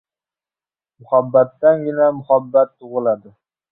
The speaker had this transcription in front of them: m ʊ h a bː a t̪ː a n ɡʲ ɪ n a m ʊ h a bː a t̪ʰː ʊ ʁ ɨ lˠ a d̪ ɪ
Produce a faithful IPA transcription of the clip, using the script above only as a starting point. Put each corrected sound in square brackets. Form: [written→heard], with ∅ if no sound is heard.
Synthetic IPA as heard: m ʊ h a bː a t̪ː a n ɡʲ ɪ n a m ʊ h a bː a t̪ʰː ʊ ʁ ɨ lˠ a d̪ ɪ